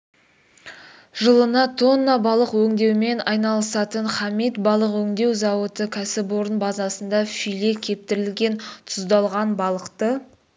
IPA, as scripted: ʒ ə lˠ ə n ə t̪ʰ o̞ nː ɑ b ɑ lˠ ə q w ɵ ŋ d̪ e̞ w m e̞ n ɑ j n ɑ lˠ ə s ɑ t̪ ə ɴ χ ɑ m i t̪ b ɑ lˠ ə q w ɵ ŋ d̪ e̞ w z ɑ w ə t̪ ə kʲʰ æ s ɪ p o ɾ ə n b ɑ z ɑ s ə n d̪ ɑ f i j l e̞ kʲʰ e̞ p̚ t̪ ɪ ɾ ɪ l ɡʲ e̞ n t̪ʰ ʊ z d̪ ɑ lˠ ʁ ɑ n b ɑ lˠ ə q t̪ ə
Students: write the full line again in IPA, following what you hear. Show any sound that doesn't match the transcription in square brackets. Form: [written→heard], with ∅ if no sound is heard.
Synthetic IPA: ʒ ə lˠ ə n [ə→ɑ] t̪ʰ o̞ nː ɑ b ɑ lˠ ə q w ɵ ŋ d̪ e̞ w m e̞ n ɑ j n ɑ lˠ ə s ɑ t̪ ə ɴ χ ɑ m i t̪ b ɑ lˠ ə q w ɵ ŋ d̪ e̞ w z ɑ w ə t̪ ə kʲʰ æ s ɪ p o ɾ ə n b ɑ z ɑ s ə n d̪ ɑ f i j l e̞ kʲʰ e̞ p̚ t̪ ɪ ɾ ɪ l ɡʲ e̞ n t̪ʰ ʊ z d̪ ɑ lˠ ʁ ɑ n b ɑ lˠ ə q t̪ ə

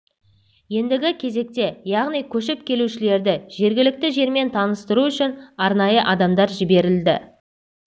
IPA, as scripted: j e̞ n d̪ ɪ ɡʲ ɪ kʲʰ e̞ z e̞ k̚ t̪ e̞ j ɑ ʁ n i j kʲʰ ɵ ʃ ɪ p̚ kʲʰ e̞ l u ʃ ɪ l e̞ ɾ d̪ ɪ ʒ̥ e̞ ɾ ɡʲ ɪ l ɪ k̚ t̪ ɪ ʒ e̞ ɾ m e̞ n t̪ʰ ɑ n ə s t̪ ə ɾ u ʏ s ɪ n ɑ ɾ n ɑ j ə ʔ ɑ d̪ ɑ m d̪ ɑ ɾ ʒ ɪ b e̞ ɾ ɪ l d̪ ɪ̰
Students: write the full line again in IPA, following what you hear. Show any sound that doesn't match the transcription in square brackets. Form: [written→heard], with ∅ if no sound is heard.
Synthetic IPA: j e̞ n d̪ ɪ ɡʲ ɪ kʲʰ e̞ z e̞ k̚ t̪ e̞ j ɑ ʁ n i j kʲʰ ɵ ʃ ɪ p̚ kʲʰ e̞ l u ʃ ɪ l e̞ ɾ d̪ ɪ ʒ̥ e̞ ɾ ɡʲ ɪ l ɪ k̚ t̪ ɪ ʒ e̞ ɾ m e̞ n t̪ʰ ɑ n ə s t̪ ə ɾ u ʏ [s→ʃ] ɪ n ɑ ɾ n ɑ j ə ʔ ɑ d̪ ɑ m d̪ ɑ ɾ ʒ ɪ b e̞ ɾ ɪ l d̪ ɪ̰

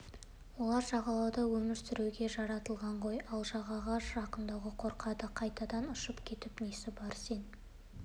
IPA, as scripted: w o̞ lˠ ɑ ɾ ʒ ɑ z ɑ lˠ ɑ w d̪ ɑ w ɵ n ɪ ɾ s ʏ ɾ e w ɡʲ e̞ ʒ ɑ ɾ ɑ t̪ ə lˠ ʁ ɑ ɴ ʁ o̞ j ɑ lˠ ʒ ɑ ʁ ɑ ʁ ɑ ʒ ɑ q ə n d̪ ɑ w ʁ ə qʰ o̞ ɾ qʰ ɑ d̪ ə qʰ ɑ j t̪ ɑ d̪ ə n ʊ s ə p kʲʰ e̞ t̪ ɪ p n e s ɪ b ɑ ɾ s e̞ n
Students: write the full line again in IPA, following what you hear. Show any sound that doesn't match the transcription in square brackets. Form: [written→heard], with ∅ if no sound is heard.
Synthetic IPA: w o̞ lˠ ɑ ɾ ʒ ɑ [z→ʁ] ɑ lˠ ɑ w d̪ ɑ w ɵ [n→m] ɪ ɾ s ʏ ɾ e w ɡʲ e̞ ʒ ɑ ɾ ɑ t̪ ə lˠ ʁ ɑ ɴ ʁ o̞ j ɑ lˠ ʒ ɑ ʁ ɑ ʁ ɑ ʒ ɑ q ə n d̪ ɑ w ʁ ə qʰ o̞ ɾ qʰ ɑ d̪ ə qʰ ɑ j t̪ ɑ d̪ [ə→ɑ] n ʊ [s→ʃ] ə p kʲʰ e̞ t̪ ɪ p n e s ɪ b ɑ ɾ s e̞ n

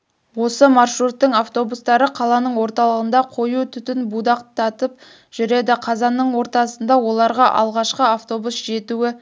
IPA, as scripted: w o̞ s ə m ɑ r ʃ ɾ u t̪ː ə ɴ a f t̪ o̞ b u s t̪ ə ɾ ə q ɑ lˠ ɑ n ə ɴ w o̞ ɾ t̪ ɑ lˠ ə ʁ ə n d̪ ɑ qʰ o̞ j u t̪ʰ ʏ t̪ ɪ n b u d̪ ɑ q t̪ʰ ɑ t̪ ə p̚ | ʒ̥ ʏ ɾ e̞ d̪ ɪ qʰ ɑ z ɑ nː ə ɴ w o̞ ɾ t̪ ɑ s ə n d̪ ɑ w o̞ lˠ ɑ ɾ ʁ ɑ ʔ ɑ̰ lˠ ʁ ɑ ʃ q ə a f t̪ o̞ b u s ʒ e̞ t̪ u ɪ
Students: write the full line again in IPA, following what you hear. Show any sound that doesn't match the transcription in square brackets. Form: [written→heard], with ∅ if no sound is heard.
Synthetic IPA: w o̞ s ə m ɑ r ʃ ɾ u t̪ː ə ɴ a f t̪ o̞ b u s t̪ [ə→ɑ] ɾ ə [q→qʰ] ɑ lˠ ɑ n ə ɴ w o̞ ɾ t̪ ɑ lˠ ə ʁ ə n d̪ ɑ qʰ o̞ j u t̪ʰ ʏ t̪ ɪ n b u d̪ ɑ q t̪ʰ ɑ t̪ ə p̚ | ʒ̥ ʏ ɾ e̞ d̪ ɪ qʰ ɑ z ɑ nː ə ɴ w o̞ ɾ t̪ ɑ s ə n d̪ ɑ w o̞ lˠ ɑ ɾ ʁ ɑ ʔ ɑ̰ lˠ ʁ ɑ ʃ q ə a f t̪ o̞ b u s ʒ e̞ t̪ u ɪ

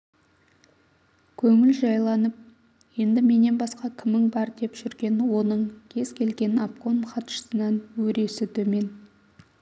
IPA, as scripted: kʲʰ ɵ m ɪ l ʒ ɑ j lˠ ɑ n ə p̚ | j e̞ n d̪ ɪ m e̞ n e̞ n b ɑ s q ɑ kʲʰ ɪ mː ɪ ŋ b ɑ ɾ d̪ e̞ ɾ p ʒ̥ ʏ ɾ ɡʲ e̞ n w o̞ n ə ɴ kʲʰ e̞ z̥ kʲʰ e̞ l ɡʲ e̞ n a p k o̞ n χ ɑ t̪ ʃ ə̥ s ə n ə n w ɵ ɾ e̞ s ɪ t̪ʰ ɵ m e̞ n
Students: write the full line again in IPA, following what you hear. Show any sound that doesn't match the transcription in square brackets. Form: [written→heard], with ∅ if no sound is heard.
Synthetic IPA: kʲʰ ɵ [m→ŋ] ɪ l ʒ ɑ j lˠ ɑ n ə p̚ | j e̞ n d̪ ɪ m e̞ n e̞ n b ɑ s q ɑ kʲʰ ɪ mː ɪ ŋ b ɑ ɾ d̪ e̞ [ɾ→∅] p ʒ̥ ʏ ɾ ɡʲ e̞ n w o̞ n ə ɴ kʲʰ e̞ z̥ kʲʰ e̞ l ɡʲ e̞ n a p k o̞ n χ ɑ t̪ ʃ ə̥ s ə n [ə→ɑ] n w ɵ ɾ e̞ s ɪ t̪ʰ ɵ m e̞ n

